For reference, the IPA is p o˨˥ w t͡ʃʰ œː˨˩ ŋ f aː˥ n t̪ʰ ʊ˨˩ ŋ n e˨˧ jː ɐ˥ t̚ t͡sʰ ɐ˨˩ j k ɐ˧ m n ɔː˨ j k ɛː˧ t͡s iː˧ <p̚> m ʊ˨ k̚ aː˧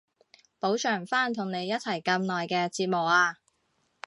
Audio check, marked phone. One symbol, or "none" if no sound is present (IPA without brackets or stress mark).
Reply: t̚